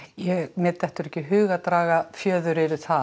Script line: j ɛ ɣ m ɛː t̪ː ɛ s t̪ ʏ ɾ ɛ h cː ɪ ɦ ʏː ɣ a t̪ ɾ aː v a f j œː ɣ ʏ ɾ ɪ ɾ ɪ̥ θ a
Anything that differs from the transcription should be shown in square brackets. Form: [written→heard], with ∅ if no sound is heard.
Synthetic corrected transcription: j ɛ ɣ m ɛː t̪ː ɛ [s→h] t̪ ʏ ɾ ɛ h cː ɪ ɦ ʏː ɣ a t̪ ɾ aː [v→ɣ] a f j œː [ɣ→ð] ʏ ɾ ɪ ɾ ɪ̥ θ a

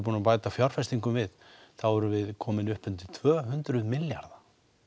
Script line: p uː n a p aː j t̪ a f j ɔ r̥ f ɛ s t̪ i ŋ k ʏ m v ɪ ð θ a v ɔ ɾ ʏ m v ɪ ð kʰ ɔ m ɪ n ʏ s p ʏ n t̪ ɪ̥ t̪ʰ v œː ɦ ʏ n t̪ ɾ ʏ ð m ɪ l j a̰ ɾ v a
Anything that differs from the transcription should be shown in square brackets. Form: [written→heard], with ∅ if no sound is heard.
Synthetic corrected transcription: p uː n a p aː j t̪ a f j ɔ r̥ f ɛ s t̪ i ŋ k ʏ m v ɪ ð θ a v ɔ ɾ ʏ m v ɪ ð kʰ [ɔ→ɔː] m ɪ n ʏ [s→h] p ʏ n t̪ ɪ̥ t̪ʰ v œː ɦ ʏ n t̪ ɾ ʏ ð m ɪ l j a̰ ɾ [v→ð] a

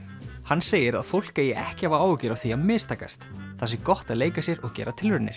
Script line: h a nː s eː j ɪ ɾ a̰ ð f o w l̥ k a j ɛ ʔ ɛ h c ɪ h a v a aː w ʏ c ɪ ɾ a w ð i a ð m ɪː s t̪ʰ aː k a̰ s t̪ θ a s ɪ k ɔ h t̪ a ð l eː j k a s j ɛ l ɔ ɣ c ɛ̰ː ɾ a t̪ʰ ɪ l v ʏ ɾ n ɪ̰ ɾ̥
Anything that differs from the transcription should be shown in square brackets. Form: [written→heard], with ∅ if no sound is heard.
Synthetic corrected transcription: h a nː s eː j ɪ ɾ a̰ ð f o w l̥ k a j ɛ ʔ ɛ h c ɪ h a v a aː w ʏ c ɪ ɾ a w [ð→θ] i a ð m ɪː s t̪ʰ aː k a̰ s t̪ θ a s ɪ k ɔ h t̪ a ð l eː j k a s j ɛ [l→ɾ] ɔ ɣ c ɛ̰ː ɾ a t̪ʰ ɪ l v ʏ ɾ n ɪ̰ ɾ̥

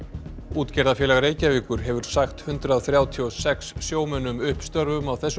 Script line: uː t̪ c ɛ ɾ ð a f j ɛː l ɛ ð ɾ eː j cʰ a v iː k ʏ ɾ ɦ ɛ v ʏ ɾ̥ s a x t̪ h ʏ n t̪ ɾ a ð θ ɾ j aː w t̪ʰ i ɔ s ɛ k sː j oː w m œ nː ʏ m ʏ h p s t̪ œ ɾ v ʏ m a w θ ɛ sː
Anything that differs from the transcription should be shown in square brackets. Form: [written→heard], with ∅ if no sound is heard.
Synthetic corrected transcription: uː t̪ c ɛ ɾ ð a f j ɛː l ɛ [ð→ɣ] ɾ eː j [cʰ→c] a v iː k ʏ ɾ ɦ ɛ v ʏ ɾ̥ s a x t̪ h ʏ n t̪ ɾ a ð θ ɾ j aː w t̪ʰ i ɔ s ɛ k sː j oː w m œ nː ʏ m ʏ h p s t̪ œ ɾ v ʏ m a w θ ɛ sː

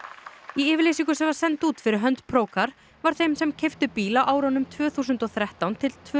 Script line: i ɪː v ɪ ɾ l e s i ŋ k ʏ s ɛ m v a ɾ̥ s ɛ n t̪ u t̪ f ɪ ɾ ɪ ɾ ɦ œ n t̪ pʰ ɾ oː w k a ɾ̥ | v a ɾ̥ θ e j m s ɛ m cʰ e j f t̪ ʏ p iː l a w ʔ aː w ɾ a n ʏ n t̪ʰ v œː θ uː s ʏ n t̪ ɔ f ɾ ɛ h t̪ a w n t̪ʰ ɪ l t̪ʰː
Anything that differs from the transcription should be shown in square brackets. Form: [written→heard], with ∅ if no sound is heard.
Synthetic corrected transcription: i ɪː v ɪ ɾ l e s i ŋ k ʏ s ɛ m v a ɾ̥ s ɛ n t̪ [u→uː] t̪ f ɪ ɾ ɪ ɾ ɦ œ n t̪ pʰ ɾ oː w k a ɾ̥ | v a ɾ̥ θ e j m s ɛ m cʰ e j f t̪ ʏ p iː l a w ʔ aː w ɾ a n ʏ [n→m] t̪ʰ v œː θ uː s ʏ n t̪ ɔ [f→θ] ɾ ɛ h t̪ a w n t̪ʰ ɪ l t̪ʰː

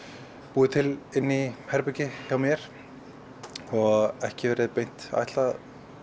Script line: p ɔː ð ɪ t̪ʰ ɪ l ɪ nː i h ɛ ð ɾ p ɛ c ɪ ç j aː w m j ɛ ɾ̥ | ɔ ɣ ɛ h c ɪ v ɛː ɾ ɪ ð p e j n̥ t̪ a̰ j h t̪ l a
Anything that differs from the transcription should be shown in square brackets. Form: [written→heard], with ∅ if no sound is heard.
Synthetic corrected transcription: p [ɔː→uː] ð ɪ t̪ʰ ɪ l ɪ nː i h ɛ [ð→∅] ɾ p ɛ c ɪ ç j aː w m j ɛ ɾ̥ | ɔ ɣ ɛ h c ɪ v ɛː ɾ ɪ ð p e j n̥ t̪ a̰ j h t̪ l a

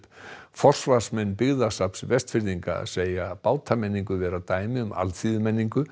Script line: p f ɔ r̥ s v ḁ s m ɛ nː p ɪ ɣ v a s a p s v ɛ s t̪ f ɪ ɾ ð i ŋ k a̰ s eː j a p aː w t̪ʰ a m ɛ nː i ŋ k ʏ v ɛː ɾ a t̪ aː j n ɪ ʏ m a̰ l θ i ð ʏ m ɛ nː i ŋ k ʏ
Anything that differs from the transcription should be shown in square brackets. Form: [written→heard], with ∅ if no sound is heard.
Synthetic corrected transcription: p f ɔ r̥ s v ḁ s m ɛ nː p ɪ ɣ [v→ð] a s a p s v ɛ s t̪ f ɪ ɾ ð i ŋ k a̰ s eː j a p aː w t̪ʰ a m ɛ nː i ŋ k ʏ v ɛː ɾ a t̪ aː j [n→m] ɪ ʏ m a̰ l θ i ð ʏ m ɛ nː i ŋ k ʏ

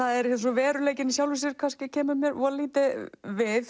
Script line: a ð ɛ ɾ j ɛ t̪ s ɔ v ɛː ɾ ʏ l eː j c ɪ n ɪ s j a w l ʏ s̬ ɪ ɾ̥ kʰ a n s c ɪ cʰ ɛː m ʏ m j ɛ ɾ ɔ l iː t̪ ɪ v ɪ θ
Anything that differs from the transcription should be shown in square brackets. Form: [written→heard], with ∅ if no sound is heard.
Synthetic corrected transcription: a ð ɛ ɾ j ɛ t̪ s ɔ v ɛː ɾ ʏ l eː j c ɪ n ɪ s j a w l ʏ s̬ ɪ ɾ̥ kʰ a n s c ɪ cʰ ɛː m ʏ m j ɛ ɾ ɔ l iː t̪ ɪ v ɪ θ

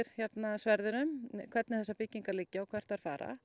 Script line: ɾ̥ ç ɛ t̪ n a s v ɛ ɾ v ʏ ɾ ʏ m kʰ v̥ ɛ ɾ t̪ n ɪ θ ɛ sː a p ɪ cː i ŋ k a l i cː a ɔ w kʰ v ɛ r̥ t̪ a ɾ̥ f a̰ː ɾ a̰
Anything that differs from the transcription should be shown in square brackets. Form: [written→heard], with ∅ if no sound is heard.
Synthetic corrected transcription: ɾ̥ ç ɛ t̪ n a s v ɛ ɾ [v→ð] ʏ ɾ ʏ m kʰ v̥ ɛ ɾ t̪ n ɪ θ ɛ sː a p ɪ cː i ŋ k a l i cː a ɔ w kʰ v ɛ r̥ t̪ a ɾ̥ f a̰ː ɾ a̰

